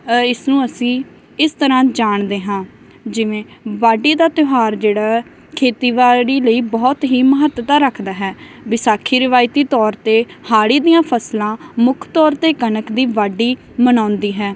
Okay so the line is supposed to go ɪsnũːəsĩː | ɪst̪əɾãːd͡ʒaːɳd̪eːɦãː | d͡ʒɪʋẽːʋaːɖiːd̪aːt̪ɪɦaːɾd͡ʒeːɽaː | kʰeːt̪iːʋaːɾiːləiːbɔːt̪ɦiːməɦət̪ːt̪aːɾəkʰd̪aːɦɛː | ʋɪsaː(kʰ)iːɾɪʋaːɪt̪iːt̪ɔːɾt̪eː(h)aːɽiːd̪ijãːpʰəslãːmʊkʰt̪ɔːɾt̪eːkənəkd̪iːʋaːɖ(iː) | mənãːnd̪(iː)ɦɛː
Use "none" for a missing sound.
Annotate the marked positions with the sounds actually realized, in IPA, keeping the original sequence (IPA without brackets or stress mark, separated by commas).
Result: kʰ, h, iː, iː